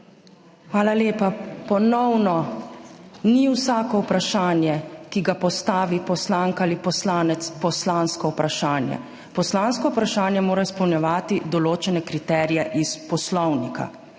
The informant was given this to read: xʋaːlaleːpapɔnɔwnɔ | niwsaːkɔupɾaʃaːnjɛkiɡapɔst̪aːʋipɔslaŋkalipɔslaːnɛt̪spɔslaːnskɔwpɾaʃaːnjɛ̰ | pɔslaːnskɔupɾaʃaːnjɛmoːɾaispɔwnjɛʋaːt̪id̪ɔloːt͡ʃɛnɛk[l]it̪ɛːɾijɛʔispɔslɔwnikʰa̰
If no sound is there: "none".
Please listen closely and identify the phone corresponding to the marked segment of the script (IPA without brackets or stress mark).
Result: ɾ